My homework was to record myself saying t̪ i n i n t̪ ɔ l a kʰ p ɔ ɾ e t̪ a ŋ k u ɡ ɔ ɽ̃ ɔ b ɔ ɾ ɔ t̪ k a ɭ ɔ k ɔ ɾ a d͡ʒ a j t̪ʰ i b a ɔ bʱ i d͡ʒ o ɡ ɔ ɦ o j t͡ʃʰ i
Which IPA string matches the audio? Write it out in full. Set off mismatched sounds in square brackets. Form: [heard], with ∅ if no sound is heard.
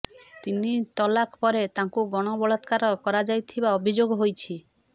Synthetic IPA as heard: t̪ i n i [∅] t̪ ɔ l a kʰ p ɔ ɾ e t̪ a ŋ k u ɡ ɔ ɽ̃ ɔ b ɔ [ɭ] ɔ t̪ k a [ɾ] ɔ k ɔ ɾ a d͡ʒ a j t̪ʰ i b a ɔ bʱ i d͡ʒ o ɡ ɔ ɦ o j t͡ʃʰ i